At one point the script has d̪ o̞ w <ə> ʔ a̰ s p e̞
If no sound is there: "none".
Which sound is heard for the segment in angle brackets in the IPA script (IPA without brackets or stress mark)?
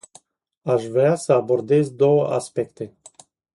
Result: ə